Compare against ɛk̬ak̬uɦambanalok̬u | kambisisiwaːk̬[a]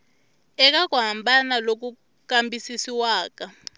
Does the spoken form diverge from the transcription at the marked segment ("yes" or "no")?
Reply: no